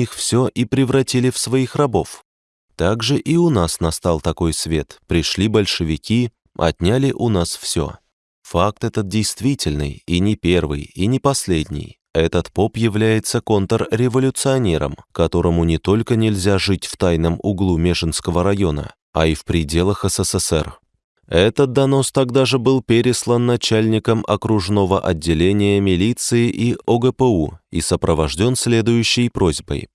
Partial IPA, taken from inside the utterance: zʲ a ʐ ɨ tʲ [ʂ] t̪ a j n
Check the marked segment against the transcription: incorrect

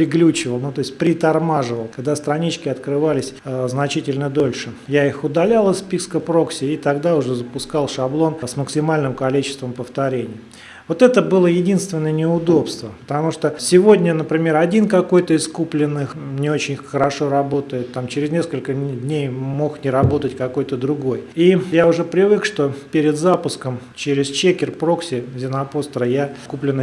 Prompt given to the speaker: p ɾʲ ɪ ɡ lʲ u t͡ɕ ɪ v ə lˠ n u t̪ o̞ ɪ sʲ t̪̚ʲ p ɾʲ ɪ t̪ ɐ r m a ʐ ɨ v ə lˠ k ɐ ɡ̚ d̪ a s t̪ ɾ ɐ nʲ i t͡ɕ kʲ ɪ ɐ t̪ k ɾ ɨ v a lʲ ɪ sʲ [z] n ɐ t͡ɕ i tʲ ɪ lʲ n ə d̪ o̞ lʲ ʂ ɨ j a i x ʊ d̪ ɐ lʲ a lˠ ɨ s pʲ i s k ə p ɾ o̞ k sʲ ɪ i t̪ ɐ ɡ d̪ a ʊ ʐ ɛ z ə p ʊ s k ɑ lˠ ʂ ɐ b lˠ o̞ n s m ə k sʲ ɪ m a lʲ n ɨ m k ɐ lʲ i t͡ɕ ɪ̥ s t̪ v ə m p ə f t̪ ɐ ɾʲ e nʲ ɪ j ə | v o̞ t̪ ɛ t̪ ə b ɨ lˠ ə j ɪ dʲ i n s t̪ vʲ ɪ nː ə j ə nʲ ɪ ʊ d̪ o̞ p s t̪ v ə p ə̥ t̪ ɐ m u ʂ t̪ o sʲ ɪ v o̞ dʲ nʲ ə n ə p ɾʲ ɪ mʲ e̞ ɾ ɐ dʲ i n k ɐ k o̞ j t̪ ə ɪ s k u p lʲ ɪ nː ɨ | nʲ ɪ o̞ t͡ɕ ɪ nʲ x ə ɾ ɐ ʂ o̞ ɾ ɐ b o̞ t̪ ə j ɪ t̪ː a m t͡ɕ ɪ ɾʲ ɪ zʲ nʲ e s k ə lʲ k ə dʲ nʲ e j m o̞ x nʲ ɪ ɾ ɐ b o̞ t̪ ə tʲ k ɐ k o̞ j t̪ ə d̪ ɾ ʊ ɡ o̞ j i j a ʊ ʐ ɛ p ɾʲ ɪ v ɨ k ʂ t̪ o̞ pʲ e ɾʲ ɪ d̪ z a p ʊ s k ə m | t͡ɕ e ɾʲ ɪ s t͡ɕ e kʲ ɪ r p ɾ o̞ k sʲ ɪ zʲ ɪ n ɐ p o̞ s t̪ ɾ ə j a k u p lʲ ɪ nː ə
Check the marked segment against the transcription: correct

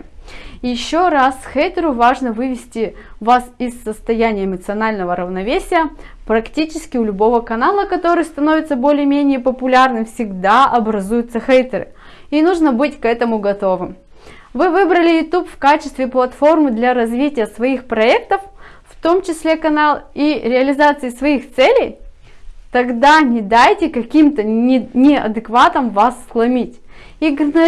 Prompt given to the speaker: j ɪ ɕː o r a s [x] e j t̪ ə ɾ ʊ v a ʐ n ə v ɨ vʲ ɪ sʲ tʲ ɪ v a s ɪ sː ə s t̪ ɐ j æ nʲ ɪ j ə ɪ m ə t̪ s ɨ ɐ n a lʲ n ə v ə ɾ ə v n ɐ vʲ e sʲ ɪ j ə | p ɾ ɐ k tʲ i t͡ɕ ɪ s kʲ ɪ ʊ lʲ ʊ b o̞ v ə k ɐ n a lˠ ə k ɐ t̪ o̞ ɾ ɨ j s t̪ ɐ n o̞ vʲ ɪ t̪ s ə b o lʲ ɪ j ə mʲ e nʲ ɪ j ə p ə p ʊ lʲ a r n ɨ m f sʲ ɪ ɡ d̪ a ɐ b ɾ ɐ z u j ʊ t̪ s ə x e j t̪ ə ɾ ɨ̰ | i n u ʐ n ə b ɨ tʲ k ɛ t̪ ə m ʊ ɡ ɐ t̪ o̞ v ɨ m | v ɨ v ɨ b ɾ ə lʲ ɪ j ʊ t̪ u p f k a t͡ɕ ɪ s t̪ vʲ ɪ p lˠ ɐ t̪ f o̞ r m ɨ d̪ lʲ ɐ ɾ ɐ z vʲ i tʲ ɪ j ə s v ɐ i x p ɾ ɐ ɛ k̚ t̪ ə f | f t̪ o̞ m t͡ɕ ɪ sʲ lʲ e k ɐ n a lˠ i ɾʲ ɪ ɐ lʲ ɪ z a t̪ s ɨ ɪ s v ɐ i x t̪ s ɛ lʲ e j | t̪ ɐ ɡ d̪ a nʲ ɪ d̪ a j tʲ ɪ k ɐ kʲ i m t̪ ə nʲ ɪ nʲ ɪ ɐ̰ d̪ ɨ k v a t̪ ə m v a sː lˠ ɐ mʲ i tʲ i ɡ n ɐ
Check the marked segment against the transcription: correct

